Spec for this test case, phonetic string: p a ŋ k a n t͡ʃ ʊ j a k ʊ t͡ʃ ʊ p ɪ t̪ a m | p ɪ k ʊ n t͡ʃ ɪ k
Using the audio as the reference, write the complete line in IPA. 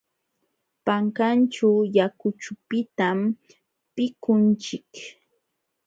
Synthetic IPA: p a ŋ k a n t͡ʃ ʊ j a k ʊ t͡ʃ ʊ p ɪ t̪ a m | p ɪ k ʊ n t͡ʃ ɪ k